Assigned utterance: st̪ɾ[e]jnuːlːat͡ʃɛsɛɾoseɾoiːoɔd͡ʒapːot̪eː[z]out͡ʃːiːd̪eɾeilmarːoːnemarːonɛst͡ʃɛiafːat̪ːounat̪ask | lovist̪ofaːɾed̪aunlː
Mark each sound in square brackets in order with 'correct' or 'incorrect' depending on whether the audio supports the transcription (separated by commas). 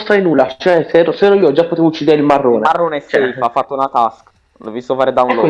incorrect, incorrect